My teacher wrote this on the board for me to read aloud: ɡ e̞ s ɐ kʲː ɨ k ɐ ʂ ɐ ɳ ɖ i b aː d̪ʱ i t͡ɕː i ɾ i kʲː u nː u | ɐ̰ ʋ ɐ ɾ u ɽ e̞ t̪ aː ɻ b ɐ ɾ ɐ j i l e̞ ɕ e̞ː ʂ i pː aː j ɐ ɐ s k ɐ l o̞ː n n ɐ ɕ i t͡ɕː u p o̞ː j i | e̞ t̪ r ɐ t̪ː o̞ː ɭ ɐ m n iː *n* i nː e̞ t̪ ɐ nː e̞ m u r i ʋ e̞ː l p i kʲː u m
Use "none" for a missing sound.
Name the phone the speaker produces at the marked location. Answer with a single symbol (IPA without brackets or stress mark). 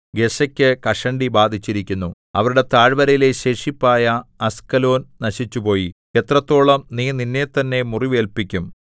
n